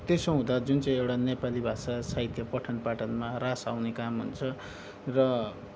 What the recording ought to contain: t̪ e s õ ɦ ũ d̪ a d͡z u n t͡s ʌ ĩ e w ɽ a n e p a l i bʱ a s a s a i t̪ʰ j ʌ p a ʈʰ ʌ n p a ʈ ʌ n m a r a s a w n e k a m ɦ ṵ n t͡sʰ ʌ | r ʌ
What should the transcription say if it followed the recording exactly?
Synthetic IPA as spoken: t̪ e s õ ɦ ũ d̪ a d͡z u n t͡s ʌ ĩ e w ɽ a n e p a l i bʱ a s a s a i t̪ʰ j ʌ p ʌ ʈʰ ʌ n p a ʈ ʌ n m a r a s a w n e k a m ɦ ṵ n t͡sʰ ʌ | r ʌ

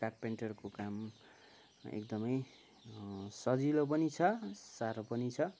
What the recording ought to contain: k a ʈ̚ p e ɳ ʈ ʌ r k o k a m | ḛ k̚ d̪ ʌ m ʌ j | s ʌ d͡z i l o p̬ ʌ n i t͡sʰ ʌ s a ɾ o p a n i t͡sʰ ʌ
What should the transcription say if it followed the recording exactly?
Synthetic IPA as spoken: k a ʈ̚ p e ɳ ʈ ʌ r k o k a m | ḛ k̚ d̪ ʌ m ʌ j | s ʌ d͡z i l o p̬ ʌ n i t͡sʰ ʌ s a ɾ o p ʌ n i t͡sʰ ʌ

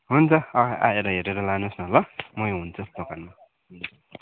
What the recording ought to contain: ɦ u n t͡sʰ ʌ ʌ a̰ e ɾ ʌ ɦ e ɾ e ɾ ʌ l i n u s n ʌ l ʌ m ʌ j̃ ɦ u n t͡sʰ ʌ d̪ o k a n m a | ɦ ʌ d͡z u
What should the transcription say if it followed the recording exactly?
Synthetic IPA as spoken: ɦ u n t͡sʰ ʌ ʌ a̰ e ɾ ʌ ɦ e ɾ e ɾ ʌ l a n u s n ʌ l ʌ m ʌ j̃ ɦ u n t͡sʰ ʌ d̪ o k a n m a | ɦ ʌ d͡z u

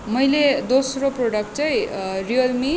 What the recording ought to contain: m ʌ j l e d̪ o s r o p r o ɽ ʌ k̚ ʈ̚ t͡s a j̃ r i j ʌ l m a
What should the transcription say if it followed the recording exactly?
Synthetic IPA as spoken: m ʌ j l e d̪ o s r o p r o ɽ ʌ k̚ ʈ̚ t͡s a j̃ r i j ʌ l m i

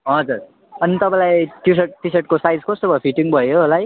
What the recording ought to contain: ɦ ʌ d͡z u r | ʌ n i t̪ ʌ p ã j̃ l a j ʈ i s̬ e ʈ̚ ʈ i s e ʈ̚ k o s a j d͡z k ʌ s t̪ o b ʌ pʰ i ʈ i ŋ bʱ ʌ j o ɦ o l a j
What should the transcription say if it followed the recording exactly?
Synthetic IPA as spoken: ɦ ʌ d͡z u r | ʌ n i t̪ ʌ p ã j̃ l a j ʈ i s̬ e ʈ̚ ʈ i s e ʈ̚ k o s a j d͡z k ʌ s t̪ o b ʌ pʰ i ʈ i ŋ bʱ ʌ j o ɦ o l a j

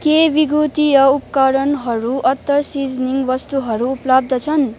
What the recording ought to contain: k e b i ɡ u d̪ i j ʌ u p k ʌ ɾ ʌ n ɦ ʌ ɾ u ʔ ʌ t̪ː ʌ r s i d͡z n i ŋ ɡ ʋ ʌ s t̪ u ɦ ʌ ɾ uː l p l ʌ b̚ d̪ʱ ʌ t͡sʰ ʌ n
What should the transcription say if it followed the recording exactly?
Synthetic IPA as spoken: k e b i ɡ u t̪ i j ʌ u p k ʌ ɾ ʌ n ɦ ʌ ɾ u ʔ ʌ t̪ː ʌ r s i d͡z n i ŋ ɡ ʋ ʌ s t̪ u ɦ ʌ ɾ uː p l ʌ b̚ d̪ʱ ʌ t͡sʰ ʌ n

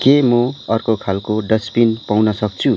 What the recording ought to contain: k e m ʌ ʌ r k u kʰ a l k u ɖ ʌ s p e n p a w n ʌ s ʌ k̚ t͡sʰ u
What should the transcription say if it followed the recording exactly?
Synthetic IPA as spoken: k e m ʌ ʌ r k o kʰ a l k o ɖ ʌ s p i n p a w n ʌ s ʌ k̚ t͡sʰ u

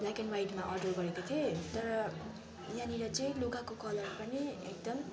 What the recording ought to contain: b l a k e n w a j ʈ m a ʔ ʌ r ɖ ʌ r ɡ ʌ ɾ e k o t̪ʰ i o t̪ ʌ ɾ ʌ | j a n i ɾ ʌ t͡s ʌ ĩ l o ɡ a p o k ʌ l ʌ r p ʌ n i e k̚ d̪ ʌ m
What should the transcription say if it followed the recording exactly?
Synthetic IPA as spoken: b l a k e n w a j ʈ m a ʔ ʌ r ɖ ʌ r ɡ ʌ ɾ e k o t̪ʰ i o t̪ ʌ ɾ ʌ | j a n i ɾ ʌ t͡s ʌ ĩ l o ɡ a k o k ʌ l ʌ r p ʌ n i e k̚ d̪ ʌ m

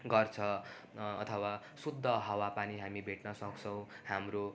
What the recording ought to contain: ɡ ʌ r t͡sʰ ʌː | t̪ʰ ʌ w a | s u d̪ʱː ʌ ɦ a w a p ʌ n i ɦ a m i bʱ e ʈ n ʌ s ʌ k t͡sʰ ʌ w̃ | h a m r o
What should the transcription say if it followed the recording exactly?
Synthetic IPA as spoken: ɡ ʌ r t͡sʰ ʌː | t̪ʰ ʌ w a | s u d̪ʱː ʌ ɦ ʌ w a p a n i ɦ a m i bʱ e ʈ n ʌ s ʌ k t͡sʰ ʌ w̃ | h a m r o

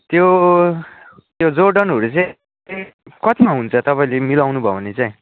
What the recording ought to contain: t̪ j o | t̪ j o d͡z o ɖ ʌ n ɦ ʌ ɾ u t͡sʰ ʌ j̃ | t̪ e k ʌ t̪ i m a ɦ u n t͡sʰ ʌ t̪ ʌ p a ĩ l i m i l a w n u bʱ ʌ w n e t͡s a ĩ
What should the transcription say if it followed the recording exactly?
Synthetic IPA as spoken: t̪ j o | t̪ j o d͡z o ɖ ʌ n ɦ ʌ ɾ u t͡s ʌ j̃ | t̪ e k ʌ t̪ i m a ɦ u n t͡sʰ ʌ t̪ ʌ p a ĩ l e m i l a w n u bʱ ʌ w n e t͡s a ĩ

